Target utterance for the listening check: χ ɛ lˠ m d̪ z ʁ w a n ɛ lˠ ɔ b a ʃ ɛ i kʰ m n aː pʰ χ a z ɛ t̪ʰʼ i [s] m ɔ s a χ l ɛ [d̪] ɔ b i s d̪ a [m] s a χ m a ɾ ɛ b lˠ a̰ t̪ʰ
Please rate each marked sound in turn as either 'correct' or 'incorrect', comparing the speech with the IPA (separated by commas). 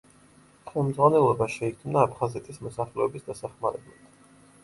correct, incorrect, incorrect